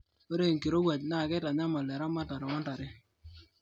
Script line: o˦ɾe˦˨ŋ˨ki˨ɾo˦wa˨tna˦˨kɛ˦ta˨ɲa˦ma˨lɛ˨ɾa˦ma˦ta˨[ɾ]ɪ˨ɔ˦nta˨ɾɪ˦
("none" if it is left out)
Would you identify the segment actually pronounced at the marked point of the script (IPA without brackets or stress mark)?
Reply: ɾ